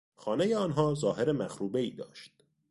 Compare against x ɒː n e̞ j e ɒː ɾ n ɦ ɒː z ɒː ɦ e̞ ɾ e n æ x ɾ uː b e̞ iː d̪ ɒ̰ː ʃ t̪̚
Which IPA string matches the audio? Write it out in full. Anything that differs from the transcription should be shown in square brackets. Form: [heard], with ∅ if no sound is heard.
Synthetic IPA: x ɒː n e̞ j e ɒː [∅] n ɦ ɒː z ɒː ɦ e̞ ɾ e [m] æ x ɾ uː b e̞ iː d̪ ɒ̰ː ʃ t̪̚